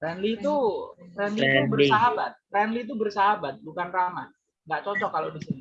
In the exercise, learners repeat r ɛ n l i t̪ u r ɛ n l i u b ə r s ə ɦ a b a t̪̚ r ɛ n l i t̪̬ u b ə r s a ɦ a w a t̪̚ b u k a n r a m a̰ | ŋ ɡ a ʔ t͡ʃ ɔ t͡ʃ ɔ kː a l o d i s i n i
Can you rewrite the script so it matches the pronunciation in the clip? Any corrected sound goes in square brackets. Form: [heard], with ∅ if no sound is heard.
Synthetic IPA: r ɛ n l i t̪ u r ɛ n l i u b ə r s [a] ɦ a b a t̪̚ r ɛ n l i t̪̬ u b ə r s a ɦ a [b] a t̪̚ b u k a n r a m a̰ | ŋ ɡ a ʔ t͡ʃ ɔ t͡ʃ ɔ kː a l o d i s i n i